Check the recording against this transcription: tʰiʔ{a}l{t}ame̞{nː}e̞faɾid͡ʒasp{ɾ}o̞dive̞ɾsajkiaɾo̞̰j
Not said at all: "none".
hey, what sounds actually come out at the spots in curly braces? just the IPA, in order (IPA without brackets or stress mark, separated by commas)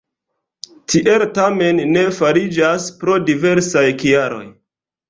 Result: e, t, nː, ɾ